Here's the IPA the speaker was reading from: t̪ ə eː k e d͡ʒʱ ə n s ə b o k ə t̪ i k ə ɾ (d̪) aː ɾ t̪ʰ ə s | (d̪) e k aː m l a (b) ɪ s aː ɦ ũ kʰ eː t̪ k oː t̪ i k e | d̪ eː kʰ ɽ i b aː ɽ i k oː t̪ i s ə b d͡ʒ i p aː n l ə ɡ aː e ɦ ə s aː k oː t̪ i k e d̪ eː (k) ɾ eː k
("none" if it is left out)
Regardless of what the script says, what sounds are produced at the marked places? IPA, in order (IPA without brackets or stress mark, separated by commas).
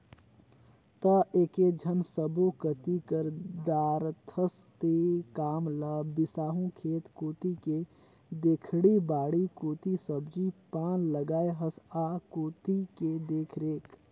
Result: d̪, t̪, b, kʰ